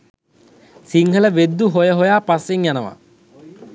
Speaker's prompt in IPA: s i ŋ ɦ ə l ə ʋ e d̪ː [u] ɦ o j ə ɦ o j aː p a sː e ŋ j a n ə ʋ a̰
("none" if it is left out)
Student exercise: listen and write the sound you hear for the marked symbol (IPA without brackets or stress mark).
u